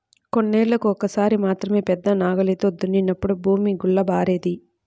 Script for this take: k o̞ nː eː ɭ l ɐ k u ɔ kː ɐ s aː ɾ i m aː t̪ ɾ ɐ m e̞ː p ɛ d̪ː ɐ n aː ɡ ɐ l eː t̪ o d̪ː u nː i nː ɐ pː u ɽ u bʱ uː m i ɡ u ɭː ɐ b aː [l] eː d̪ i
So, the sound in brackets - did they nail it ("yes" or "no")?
no